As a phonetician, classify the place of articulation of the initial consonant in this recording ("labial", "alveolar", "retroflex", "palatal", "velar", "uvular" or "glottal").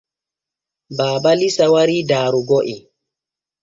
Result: labial